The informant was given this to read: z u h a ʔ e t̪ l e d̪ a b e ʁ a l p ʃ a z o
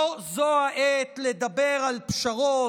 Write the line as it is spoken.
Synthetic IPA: z o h a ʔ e t̪ l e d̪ a b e ʁ a l p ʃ a ʁ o